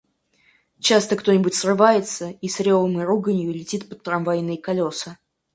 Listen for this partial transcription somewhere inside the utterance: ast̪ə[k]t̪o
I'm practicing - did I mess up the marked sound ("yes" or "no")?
no